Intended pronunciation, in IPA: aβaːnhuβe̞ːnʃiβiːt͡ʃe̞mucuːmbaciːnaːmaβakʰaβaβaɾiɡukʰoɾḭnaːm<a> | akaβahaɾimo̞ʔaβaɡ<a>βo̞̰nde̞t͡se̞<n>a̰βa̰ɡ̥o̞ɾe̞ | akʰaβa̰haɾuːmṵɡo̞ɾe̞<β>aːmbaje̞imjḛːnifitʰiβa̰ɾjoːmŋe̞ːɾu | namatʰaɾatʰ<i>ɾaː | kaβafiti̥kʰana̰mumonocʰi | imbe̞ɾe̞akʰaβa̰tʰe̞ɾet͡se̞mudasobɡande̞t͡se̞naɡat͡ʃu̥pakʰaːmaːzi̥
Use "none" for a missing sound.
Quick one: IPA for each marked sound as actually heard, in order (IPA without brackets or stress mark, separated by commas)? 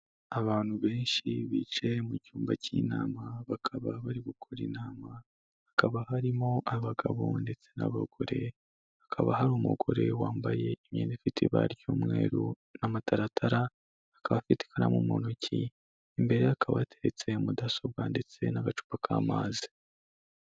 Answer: a, a, n, w, a